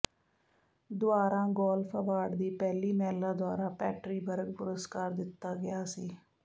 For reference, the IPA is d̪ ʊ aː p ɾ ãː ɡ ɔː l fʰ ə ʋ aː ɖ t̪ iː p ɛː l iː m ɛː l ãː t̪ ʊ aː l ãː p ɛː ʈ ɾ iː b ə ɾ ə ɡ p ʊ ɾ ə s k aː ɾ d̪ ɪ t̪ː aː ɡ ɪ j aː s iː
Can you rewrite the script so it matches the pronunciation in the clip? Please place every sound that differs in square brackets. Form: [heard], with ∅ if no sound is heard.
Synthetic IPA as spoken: d̪ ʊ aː [∅] ɾ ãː ɡ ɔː l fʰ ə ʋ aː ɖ [d̪] iː p ɛː l iː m ɛː l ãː [d̪] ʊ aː [ɾ] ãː p ɛː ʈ ɾ iː b ə ɾ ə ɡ p ʊ ɾ ə s k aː ɾ d̪ ɪ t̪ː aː ɡ ɪ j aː s iː